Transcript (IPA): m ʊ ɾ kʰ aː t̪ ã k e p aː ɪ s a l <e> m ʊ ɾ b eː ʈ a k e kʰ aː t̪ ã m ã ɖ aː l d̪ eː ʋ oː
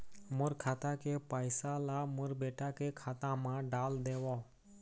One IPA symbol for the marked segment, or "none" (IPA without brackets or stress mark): a